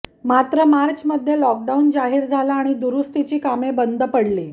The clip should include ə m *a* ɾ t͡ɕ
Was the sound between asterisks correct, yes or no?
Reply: yes